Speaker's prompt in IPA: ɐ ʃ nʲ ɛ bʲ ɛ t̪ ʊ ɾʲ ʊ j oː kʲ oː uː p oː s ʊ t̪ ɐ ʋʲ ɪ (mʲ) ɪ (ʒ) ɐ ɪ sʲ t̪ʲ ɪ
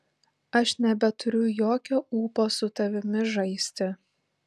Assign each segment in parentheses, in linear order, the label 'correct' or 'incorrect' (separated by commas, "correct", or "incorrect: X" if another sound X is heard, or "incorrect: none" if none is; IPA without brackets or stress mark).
correct, correct